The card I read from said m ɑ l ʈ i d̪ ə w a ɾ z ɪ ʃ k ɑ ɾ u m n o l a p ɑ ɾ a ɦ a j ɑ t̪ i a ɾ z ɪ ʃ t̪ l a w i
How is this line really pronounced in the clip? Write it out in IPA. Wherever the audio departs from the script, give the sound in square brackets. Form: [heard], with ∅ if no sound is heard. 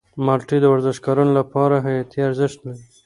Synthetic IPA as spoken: m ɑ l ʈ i d̪ ə w a ɾ z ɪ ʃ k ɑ ɾ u [∅] n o l a p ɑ ɾ a ɦ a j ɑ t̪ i a ɾ z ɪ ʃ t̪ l a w i